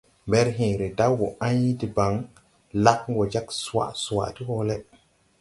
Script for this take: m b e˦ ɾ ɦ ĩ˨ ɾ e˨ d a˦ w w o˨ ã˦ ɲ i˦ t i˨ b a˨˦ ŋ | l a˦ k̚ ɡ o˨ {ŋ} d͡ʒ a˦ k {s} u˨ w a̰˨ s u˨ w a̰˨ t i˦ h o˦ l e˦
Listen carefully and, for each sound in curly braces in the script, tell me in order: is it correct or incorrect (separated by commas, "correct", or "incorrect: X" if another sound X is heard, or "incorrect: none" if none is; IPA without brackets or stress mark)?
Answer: incorrect: none, correct